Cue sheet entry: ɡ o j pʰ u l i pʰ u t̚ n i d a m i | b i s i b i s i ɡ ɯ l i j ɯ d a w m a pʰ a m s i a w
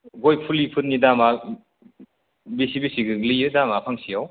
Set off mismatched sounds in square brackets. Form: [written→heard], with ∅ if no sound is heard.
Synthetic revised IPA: ɡ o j pʰ u l i pʰ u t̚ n i d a m [i→a] | b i s i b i s i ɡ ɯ l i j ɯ d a [w→∅] m a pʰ a [m→ŋ] s i a w